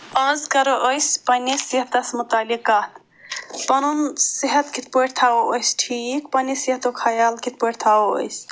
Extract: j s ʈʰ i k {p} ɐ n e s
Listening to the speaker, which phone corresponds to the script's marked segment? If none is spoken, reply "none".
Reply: p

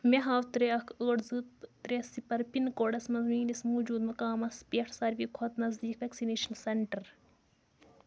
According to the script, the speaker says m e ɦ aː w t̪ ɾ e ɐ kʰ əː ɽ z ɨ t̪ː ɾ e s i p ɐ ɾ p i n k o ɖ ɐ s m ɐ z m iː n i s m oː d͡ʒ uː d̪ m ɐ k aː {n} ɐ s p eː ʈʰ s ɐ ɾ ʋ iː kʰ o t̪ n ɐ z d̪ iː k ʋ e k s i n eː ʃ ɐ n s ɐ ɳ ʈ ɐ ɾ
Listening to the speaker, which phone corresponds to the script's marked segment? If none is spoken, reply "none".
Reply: m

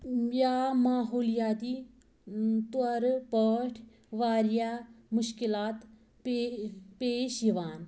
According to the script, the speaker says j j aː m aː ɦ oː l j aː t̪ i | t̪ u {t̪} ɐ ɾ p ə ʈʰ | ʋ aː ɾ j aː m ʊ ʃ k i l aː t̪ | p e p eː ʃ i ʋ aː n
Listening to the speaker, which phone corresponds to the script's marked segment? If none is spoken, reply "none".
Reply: none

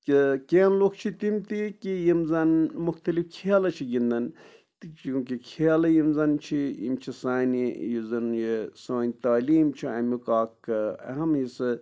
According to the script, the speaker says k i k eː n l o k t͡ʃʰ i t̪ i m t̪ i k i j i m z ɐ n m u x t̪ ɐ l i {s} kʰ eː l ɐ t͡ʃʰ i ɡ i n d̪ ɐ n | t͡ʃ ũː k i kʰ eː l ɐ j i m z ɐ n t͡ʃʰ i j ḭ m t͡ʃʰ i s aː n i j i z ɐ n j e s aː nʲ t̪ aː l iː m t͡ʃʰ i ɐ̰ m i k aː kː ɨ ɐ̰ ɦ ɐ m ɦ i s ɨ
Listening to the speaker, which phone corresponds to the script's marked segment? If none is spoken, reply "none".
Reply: f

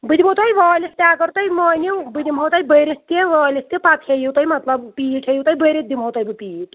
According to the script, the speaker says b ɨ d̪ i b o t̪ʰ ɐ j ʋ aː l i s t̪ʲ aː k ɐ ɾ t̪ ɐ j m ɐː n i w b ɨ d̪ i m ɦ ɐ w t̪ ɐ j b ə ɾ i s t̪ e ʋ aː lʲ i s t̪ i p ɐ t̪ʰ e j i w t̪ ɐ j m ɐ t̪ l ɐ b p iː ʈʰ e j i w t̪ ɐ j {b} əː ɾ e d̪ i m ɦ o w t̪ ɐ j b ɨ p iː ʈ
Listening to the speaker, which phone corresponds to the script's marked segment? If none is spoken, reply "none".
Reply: b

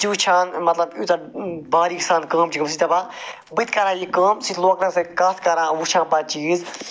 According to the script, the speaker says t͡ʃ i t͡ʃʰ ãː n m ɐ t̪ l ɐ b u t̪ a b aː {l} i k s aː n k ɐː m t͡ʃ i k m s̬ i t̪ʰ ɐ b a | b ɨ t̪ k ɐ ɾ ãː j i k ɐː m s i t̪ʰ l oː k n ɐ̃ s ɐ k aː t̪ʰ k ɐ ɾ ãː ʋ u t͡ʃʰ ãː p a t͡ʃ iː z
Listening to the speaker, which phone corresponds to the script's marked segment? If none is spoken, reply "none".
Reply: ɾ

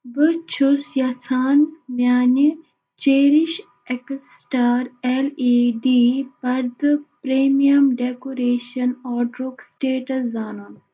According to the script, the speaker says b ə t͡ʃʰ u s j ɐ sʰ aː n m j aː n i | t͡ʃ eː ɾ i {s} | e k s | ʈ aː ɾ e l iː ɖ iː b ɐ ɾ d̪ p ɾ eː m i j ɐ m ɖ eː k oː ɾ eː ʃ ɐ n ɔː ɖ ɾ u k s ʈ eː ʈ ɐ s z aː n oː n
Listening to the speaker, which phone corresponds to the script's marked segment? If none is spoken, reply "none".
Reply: ʃ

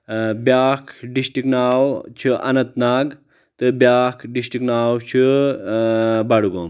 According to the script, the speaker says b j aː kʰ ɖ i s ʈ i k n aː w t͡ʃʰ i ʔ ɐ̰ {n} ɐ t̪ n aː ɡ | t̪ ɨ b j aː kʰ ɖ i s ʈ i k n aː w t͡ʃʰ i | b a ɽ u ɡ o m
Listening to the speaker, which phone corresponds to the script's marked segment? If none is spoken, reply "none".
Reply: n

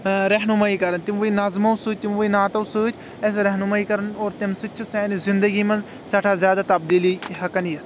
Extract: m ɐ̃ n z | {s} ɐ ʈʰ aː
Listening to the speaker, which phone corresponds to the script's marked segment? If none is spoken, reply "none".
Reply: s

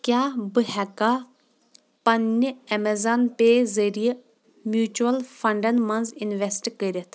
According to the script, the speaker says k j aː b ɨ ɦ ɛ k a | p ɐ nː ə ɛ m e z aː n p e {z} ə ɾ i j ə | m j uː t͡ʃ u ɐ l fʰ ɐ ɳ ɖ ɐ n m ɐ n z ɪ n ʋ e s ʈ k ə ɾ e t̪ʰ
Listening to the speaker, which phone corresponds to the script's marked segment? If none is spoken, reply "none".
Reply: z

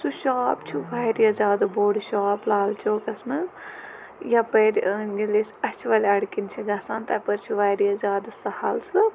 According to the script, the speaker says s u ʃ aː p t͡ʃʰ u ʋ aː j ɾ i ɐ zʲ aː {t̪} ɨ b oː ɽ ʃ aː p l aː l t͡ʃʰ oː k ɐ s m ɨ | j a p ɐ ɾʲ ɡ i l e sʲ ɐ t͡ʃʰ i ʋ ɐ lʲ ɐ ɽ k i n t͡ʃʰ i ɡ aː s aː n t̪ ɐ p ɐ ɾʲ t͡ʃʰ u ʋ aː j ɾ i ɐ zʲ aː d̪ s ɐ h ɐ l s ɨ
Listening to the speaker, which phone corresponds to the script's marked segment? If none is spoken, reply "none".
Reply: d̪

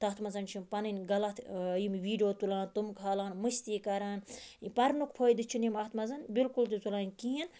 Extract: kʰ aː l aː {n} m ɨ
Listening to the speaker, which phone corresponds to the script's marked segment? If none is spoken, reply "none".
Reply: n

